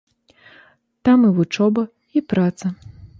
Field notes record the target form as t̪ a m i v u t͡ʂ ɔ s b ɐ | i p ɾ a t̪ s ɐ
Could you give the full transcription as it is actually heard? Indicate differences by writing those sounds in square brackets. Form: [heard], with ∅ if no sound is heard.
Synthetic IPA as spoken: t̪ a m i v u t͡ʂ ɔ [∅] b ɐ | i p ɾ a t̪ s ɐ

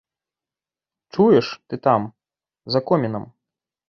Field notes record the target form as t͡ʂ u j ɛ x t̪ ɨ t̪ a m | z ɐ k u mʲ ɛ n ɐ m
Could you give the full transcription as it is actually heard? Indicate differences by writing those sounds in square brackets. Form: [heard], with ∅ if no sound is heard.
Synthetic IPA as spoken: t͡ʂ u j ɛ [ʂ] t̪ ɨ t̪ a m | z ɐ k [ɔ] mʲ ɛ n ɐ m

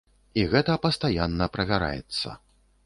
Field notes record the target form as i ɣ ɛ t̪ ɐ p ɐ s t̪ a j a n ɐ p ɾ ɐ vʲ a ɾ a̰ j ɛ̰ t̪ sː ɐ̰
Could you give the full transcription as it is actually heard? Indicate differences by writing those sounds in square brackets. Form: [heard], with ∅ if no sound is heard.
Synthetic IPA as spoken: i ɣ ɛ t̪ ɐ p ɐ s t̪ a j a [nː] ɐ p ɾ ɐ vʲ a ɾ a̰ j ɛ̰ t̪ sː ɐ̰

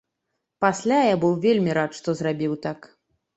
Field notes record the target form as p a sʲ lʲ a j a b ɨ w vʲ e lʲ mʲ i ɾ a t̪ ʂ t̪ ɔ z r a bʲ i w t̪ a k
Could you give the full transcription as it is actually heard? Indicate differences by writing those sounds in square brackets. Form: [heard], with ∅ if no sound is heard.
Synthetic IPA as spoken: p a sʲ lʲ a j a b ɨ w vʲ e lʲ mʲ i ɾ a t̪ ʂ t̪ ɔ z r a bʲ i w t̪ a k

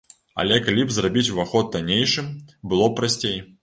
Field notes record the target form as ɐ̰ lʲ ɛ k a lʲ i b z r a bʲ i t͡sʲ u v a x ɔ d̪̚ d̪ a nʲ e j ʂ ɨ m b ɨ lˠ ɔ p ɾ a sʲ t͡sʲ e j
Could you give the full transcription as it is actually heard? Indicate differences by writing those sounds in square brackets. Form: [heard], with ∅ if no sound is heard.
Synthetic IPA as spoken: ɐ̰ lʲ ɛ k a lʲ i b z r a bʲ i t͡sʲ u v a x ɔ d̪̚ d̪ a nʲ e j ʂ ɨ m b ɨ lˠ ɔ p ɾ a sʲ t͡sʲ e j

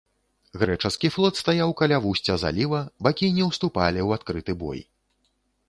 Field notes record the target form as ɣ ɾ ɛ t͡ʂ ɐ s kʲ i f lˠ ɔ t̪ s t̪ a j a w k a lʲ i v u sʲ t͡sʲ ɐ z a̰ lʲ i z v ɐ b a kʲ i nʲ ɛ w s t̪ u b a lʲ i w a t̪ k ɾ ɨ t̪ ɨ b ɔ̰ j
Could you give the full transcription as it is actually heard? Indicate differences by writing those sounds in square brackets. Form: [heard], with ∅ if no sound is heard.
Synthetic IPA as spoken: ɣ ɾ ɛ t͡ʂ ɐ s kʲ i f lˠ ɔ t̪ s t̪ a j a w k a lʲ [a] v u sʲ t͡sʲ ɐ z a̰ lʲ i [∅] v ɐ b a kʲ i nʲ ɛ w s t̪ u [p] a lʲ i w a t̪ k ɾ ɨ t̪ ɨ b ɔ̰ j

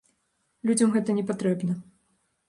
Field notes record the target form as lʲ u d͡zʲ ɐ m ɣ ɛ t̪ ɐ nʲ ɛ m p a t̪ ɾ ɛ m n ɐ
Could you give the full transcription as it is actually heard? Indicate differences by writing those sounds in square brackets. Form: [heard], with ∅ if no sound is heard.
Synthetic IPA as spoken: lʲ u d͡zʲ ɐ m ɣ ɛ t̪ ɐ nʲ ɛ [∅] p a t̪ ɾ ɛ [b] n ɐ

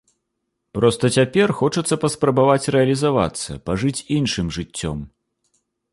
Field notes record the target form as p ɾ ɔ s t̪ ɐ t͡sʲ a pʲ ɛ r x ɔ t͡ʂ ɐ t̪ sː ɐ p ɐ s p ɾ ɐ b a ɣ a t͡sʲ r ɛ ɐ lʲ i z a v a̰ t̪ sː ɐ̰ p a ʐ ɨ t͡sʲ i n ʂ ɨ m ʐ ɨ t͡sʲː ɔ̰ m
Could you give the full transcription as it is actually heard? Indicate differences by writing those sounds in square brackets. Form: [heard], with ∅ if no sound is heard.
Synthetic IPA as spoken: p ɾ ɔ s t̪ ɐ t͡sʲ a pʲ ɛ r x ɔ t͡ʂ ɐ t̪ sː ɐ p ɐ s p ɾ ɐ b a [v] a t͡sʲ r ɛ ɐ lʲ i z a v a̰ t̪ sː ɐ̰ p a ʐ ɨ t͡sʲ i n ʂ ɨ m ʐ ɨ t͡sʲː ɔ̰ m

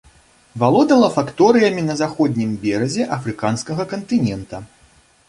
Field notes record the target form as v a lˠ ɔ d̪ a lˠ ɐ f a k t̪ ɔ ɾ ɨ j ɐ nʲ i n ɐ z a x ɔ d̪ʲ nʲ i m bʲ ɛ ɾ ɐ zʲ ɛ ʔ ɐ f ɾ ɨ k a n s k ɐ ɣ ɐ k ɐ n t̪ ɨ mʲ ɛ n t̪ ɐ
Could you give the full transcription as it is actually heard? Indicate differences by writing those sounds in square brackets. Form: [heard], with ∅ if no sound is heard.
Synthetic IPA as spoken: v a lˠ ɔ d̪ [ɐ] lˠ ɐ f a k t̪ ɔ ɾ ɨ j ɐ [mʲ] i n ɐ z a x ɔ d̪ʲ nʲ i m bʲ ɛ ɾ ɐ zʲ ɛ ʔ ɐ f ɾ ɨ k a n s k ɐ ɣ ɐ k ɐ n t̪ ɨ [nʲ] ɛ n t̪ ɐ

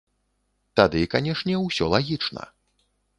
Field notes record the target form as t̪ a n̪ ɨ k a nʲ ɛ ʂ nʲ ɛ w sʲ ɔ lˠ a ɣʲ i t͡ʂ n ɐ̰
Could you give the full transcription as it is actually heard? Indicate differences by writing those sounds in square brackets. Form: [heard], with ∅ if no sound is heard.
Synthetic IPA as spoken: t̪ a [d̪] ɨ k a nʲ ɛ ʂ nʲ ɛ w sʲ ɔ lˠ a ɣʲ i t͡ʂ n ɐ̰

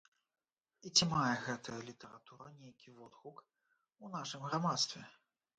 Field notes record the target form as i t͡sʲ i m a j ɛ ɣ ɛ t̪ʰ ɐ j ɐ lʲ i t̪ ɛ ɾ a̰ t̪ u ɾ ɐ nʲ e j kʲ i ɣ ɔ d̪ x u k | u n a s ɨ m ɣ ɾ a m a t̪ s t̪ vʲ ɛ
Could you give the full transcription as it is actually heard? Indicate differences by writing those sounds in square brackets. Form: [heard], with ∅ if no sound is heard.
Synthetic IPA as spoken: i t͡sʲ i m a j ɛ ɣ ɛ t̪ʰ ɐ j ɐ lʲ i t̪ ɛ ɾ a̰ t̪ u ɾ ɐ nʲ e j kʲ i [v] ɔ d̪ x u k | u n a [ʂ] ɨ m ɣ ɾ a m a t̪ s t̪ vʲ ɛ

